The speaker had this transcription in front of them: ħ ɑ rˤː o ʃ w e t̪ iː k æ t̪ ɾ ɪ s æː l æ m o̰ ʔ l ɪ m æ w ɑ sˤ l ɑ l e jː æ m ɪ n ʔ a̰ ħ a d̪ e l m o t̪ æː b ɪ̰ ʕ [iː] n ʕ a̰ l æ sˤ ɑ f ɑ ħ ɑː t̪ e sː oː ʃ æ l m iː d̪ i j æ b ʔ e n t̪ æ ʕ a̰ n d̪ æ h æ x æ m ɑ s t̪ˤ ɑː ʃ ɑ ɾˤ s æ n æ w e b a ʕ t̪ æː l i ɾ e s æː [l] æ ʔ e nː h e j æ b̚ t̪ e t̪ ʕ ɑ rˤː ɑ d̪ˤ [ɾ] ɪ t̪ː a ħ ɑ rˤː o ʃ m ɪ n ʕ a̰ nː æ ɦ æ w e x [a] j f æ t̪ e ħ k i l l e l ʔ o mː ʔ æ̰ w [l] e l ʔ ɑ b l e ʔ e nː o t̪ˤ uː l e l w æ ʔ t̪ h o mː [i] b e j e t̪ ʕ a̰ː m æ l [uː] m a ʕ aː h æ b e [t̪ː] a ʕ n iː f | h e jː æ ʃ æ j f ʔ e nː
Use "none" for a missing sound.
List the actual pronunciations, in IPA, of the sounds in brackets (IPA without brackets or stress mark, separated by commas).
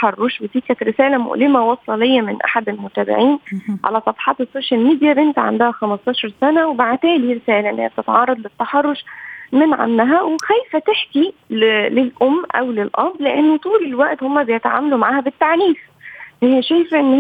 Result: iː, l, l, æ, l, æ, u, t̪ː